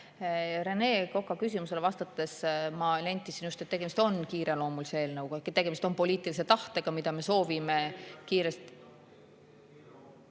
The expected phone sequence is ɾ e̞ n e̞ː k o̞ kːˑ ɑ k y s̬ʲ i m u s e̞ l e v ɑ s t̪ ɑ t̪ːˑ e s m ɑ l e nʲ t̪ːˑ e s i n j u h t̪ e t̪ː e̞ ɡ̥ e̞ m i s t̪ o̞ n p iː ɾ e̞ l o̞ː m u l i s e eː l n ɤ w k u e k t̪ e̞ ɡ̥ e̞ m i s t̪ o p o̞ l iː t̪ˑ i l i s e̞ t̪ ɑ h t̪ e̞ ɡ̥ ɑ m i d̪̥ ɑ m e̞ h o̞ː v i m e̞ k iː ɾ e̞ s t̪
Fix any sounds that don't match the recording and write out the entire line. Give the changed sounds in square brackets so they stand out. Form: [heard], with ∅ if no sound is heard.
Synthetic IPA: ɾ e̞ n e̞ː k o̞ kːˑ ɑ k y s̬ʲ i m u s e̞ l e v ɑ s t̪ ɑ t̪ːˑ e s m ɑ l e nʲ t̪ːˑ [i] s i n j u [s] t̪ e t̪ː e̞ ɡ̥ e̞ m i s t̪ o̞ n [k] iː ɾ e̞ l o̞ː m u l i s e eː l n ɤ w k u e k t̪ e̞ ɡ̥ e̞ m i s t̪ o p o̞ l iː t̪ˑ i l i s e̞ t̪ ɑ h t̪ e̞ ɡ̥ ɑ m i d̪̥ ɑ m e̞ [s] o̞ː v i m e̞ k iː ɾ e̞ s t̪